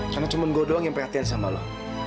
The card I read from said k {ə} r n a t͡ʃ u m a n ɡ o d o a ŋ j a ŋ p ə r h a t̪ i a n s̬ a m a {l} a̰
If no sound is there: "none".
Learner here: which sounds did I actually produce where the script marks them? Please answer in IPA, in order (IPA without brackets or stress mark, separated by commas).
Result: a, l